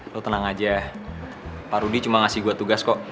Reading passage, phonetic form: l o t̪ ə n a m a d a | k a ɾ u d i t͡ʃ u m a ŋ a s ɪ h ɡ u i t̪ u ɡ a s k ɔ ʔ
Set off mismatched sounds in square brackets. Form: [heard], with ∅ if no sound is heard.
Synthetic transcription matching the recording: l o t̪ ə n a [ŋ] a [d͡ʒ] a | [p] a ɾ u d i t͡ʃ u m a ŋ a s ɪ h ɡ u [a] t̪ u ɡ a s k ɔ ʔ